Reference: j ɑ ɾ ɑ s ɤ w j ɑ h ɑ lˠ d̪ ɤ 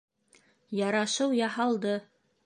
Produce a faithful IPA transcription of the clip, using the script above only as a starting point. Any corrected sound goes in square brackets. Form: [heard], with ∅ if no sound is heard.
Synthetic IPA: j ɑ ɾ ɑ [ʃ] ɤ w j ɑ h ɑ lˠ d̪ ɤ